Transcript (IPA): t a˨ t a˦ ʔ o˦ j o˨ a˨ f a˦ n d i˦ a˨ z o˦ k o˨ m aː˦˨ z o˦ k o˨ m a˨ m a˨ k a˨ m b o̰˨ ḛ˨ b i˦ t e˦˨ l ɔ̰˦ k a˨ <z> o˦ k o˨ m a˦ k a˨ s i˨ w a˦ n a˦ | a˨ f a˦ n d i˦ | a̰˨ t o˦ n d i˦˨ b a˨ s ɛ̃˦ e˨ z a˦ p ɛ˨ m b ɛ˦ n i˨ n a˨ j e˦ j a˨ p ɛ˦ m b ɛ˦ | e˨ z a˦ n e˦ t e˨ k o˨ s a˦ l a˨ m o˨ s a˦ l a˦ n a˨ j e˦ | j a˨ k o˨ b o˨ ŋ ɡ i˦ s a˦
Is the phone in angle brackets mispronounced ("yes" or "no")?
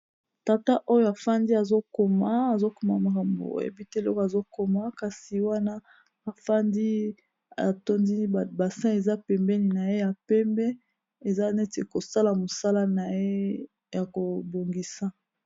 no